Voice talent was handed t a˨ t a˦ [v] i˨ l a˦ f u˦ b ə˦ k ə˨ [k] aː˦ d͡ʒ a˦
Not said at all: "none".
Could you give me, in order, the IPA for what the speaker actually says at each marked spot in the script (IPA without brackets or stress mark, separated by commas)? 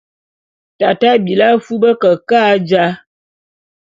b, k